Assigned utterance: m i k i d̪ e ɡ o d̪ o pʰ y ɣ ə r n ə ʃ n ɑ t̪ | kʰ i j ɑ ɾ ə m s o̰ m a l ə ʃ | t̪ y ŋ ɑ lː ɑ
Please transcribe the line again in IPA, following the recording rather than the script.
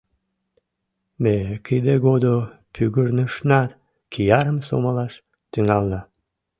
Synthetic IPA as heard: m e k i d̪ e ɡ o d̪ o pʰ y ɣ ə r n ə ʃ n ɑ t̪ | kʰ i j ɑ ɾ ə m s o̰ m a l ɑ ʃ | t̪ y ŋ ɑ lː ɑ